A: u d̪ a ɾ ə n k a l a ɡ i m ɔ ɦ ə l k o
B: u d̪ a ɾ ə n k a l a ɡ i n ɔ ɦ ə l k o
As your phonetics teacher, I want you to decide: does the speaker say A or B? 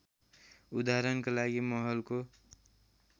A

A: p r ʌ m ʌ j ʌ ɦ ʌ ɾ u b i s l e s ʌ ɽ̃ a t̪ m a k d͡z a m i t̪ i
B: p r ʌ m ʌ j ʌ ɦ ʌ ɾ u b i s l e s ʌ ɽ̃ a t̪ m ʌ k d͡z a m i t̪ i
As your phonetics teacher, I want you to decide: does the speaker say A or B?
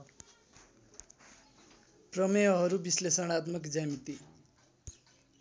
B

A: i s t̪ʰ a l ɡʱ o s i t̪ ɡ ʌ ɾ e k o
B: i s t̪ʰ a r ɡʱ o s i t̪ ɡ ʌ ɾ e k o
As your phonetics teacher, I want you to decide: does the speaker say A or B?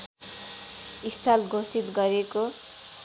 A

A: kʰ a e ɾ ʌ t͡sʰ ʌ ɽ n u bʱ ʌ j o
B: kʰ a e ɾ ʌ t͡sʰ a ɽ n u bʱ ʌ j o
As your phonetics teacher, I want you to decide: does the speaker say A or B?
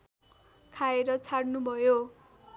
B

